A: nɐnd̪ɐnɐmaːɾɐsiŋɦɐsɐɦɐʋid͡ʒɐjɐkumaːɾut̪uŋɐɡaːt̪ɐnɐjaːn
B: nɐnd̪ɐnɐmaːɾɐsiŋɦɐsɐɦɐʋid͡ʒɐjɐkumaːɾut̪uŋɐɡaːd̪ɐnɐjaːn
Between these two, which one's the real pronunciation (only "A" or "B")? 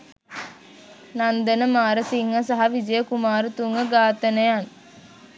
A